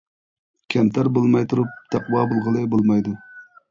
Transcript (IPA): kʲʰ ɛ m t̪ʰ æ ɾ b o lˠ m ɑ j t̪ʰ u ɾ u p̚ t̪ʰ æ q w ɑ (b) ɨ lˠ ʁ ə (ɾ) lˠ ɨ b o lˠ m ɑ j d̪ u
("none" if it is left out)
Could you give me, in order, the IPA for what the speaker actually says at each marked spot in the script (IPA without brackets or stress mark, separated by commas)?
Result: b, none